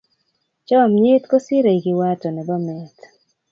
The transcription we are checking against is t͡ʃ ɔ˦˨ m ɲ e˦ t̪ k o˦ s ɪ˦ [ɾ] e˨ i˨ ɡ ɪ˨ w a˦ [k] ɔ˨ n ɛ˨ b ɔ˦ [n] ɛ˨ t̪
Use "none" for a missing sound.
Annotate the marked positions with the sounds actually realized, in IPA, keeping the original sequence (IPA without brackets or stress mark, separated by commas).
ɾ, t, m